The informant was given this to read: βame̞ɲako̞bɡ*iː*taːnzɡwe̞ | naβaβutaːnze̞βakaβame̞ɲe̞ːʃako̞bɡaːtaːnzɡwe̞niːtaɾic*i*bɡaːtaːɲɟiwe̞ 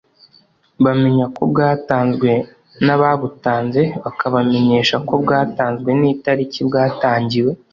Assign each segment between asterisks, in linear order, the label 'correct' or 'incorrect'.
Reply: incorrect: aː, correct

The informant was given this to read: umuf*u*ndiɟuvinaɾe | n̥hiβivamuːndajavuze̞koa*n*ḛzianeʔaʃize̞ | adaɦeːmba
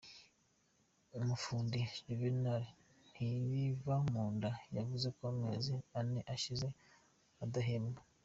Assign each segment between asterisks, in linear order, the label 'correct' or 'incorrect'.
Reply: incorrect: uː, incorrect: m

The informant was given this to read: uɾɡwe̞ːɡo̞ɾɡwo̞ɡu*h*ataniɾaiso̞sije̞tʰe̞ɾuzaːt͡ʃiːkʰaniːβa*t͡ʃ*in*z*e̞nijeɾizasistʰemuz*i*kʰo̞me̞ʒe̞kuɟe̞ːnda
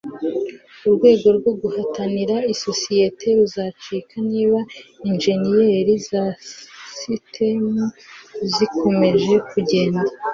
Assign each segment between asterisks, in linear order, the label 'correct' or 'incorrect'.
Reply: correct, incorrect: none, incorrect: ʒ, correct

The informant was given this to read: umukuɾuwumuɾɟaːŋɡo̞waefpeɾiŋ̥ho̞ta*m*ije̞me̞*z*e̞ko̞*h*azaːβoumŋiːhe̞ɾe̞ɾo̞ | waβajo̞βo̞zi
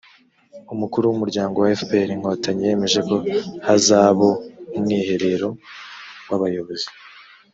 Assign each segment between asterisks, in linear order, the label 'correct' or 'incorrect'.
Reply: incorrect: ɲ, incorrect: ʒ, correct

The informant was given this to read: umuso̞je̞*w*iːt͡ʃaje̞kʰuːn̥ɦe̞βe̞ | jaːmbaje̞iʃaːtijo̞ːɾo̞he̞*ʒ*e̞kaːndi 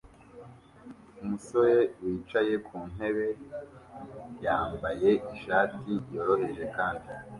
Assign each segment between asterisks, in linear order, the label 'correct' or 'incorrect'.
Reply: correct, correct

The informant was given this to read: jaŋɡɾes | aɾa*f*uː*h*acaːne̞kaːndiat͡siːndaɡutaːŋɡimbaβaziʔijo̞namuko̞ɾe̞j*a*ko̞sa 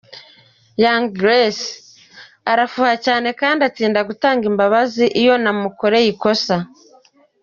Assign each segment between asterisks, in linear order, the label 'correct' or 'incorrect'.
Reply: correct, correct, incorrect: i

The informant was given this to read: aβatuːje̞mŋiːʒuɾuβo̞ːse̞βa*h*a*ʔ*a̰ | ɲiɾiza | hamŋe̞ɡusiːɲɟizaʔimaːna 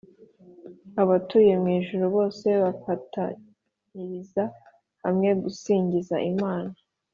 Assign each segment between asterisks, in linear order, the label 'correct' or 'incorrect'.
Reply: incorrect: f, incorrect: t

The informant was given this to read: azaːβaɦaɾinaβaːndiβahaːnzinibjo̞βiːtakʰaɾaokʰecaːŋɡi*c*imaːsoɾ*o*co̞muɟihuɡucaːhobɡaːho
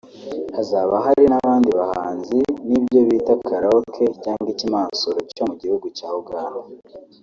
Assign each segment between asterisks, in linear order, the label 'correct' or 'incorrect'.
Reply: correct, correct

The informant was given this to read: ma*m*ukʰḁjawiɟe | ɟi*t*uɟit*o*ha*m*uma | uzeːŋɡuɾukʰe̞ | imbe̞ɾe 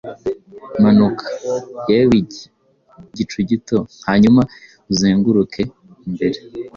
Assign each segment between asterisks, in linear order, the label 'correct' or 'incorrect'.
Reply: incorrect: n, incorrect: t͡ʃ, correct, incorrect: ɲ

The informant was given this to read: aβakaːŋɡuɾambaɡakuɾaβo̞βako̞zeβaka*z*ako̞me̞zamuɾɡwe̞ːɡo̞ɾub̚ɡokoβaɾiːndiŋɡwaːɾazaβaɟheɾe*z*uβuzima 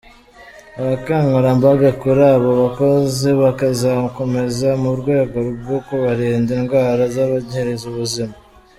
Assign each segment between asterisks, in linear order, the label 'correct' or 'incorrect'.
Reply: correct, correct

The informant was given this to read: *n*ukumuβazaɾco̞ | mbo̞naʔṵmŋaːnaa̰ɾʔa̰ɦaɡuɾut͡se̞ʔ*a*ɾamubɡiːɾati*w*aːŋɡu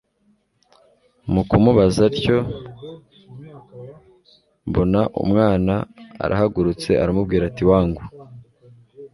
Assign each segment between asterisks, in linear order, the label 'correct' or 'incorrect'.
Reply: incorrect: m, correct, correct

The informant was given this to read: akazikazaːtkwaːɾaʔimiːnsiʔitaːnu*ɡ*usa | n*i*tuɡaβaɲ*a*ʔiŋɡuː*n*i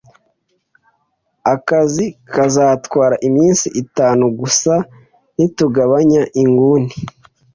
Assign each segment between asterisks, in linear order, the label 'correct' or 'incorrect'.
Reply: correct, correct, correct, correct

